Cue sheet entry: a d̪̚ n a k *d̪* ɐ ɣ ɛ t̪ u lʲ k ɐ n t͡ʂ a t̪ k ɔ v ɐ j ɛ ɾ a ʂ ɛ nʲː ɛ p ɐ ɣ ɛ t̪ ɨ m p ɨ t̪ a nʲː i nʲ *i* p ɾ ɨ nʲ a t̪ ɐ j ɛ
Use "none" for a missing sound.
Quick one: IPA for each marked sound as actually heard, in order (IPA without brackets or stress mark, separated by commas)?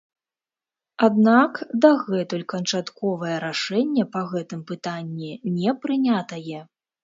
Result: d̪, ɛ